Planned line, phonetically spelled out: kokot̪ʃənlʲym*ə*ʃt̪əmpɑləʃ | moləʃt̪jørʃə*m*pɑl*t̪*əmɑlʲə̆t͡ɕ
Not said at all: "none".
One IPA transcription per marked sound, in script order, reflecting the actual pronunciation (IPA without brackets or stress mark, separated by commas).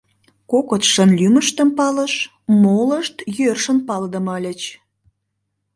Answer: ə, n, d̪